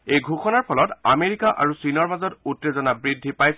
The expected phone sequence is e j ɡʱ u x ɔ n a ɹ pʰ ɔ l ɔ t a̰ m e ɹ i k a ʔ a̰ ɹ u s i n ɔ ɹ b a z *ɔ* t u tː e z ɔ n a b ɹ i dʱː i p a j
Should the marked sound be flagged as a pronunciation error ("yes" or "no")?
no